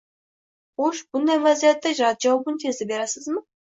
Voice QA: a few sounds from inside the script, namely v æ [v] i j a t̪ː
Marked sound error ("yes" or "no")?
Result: yes